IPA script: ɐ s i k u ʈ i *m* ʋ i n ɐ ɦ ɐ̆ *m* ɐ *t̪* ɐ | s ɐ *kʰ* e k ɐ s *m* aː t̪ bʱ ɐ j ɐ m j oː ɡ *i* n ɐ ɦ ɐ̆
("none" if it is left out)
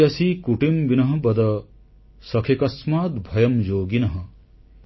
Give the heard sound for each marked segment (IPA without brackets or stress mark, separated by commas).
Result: m, b, d̪, kʰ, m, i